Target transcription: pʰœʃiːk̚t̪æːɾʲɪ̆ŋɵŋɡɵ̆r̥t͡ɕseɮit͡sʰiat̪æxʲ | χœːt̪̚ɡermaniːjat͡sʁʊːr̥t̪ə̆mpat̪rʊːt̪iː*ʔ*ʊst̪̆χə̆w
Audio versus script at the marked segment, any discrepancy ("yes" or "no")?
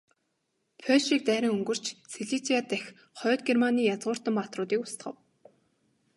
yes